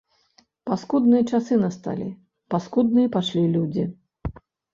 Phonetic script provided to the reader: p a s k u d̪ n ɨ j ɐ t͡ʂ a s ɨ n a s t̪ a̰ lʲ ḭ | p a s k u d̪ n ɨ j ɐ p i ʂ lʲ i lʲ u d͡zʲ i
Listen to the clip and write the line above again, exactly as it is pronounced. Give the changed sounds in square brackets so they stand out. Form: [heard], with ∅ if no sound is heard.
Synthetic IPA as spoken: p a s k u d̪ n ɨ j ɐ t͡ʂ a s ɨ n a s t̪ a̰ lʲ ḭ | p a s k u d̪ n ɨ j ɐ p [a] ʂ lʲ i lʲ u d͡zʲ i